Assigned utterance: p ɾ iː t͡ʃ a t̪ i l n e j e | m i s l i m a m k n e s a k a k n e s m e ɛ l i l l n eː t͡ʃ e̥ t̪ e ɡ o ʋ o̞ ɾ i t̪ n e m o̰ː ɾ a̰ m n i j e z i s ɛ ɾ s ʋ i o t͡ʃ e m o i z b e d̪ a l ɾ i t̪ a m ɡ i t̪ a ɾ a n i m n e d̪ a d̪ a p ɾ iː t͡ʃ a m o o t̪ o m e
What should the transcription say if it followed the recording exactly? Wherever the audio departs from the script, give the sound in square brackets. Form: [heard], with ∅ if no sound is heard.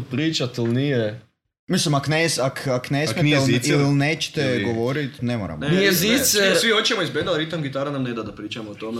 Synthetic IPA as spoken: p ɾ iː t͡ʃ a t̪ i l n [i] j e | m i s l i m a [∅] k n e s a k a k n e s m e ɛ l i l l n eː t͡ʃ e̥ t̪ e ɡ o ʋ o̞ ɾ i t̪ n e m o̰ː ɾ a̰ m n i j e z i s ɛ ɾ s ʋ i o t͡ʃ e m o i z b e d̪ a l ɾ i t̪ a m ɡ i t̪ a ɾ a n [a] m n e d̪ a d̪ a p ɾ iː t͡ʃ a m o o t̪ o m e